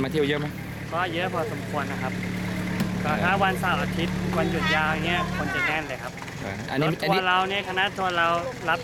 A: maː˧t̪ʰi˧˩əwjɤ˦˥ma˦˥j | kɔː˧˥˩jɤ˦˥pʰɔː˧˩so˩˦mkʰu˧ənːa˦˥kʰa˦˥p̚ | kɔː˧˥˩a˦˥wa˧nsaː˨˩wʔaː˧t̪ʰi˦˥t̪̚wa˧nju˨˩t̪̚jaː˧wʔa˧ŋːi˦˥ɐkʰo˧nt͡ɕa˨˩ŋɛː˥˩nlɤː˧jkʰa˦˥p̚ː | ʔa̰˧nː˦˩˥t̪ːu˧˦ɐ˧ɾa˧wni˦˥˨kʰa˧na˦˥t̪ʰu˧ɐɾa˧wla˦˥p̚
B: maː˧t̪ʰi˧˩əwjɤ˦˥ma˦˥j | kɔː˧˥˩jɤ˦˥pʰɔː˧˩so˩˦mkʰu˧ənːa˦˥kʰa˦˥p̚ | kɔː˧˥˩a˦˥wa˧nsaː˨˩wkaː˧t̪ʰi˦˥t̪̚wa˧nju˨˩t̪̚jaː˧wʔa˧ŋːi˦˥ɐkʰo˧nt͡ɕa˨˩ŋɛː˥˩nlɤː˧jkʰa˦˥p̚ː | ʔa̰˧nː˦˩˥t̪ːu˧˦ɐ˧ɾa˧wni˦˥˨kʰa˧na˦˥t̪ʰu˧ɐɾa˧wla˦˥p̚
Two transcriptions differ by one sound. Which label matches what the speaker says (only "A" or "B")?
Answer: A